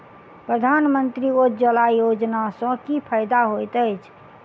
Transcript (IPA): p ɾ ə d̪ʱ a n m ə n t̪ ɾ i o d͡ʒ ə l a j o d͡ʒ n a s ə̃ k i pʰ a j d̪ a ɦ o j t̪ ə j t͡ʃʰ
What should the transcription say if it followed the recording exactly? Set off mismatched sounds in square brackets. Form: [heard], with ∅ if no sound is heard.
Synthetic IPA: p ɾ ə d̪ʱ a n m ə n t̪ ɾ i o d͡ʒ ə l a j o d͡ʒ n a s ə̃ k i pʰ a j d̪ a ɦ o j t̪ ə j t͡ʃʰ

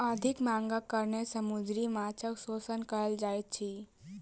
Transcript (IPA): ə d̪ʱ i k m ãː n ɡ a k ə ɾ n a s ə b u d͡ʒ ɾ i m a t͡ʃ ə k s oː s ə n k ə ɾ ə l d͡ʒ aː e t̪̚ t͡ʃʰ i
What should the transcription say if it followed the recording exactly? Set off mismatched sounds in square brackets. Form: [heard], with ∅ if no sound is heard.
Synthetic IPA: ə d̪ʱ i k m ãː [ŋ] ɡ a k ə ɾ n [e] s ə [m] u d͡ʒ ɾ i m a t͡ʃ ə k s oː s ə n k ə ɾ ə l d͡ʒ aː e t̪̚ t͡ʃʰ i

